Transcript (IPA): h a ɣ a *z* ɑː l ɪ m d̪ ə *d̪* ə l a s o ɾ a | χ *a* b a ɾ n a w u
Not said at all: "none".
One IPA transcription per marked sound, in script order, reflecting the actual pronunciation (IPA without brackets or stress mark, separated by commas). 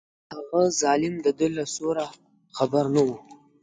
z, d̪, a